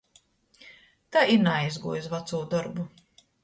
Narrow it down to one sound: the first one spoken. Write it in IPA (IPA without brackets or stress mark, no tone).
t̪